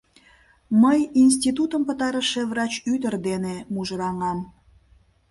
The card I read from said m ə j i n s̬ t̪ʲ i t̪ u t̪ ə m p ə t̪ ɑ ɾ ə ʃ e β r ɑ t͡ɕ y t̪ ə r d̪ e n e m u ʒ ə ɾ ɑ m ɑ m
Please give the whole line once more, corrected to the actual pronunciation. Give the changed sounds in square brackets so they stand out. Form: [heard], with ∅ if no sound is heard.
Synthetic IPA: m ə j i n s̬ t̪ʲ i t̪ u t̪ ə m p ə t̪ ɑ ɾ ə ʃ e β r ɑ t͡ɕ y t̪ ə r d̪ e n e m u ʒ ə ɾ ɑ [ŋ] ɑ m